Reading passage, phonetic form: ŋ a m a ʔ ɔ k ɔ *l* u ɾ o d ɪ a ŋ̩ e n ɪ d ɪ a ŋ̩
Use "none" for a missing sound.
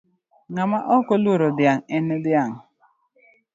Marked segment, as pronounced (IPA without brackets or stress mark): l